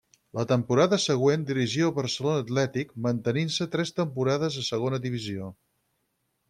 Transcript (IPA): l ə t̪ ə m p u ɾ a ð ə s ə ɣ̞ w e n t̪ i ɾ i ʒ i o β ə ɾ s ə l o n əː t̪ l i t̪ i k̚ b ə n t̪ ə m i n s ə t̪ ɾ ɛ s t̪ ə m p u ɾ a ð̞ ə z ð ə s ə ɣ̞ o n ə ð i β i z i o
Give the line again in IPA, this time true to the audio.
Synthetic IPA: l ə t̪ ə m p u ɾ a ð ə s ə ɣ̞ w e n d̪ i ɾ i ʒ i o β ə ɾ s ə l o n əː t̪ l ɛ t̪ i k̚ m ə n t̪ ə n i n s ə t̪ ɾ ɛ s t̪ ə m p u ɾ a ð̞ ə z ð ə s ə ɣ̞ o n ə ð i β i z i o